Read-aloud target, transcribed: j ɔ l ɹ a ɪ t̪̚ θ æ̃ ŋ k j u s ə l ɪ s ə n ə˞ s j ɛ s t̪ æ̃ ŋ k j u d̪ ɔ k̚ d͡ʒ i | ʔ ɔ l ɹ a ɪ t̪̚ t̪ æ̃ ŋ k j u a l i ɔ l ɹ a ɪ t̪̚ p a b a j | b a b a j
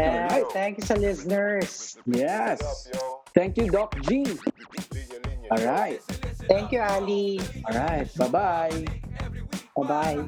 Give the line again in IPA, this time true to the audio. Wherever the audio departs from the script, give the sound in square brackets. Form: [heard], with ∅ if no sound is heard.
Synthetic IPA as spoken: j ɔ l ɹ a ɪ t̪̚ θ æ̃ ŋ k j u s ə l ɪ s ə n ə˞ s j ɛ s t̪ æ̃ ŋ k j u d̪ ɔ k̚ d͡ʒ i | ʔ ɔ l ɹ a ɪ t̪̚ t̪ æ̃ ŋ k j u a l i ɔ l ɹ a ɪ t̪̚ [b] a b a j | b a b a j